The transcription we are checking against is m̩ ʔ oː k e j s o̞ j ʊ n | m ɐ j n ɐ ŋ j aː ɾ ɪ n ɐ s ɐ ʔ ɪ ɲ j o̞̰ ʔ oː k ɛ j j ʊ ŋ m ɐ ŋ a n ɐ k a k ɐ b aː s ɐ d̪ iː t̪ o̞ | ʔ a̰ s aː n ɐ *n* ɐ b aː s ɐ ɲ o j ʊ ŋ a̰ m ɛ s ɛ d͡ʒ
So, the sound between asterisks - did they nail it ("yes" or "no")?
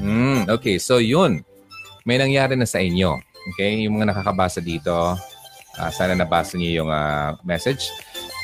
yes